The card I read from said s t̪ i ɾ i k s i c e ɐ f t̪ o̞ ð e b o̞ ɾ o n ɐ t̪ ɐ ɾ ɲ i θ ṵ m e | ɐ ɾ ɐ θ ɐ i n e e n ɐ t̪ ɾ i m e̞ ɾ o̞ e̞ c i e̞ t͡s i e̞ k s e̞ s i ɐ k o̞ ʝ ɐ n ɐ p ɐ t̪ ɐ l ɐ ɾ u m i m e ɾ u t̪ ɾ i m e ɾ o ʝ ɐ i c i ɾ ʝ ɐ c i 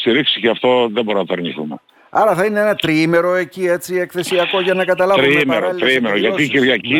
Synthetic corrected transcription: s t̪ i ɾ i k s i c e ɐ f t̪ o̞ ð e b o̞ ɾ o n ɐ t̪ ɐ ɾ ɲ i θ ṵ m e | ɐ ɾ ɐ θ ɐ i n e e n ɐ t̪ ɾ i m e̞ ɾ o̞ e̞ c i e̞ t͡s i e̞ k θ e̞ s i ɐ k o̞ ʝ ɐ n ɐ k ɐ t̪ ɐ l ɐ ɾ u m i m e ɾ o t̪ ɾ i m e ɾ o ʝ ɐ i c i ɾ ʝ ɐ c i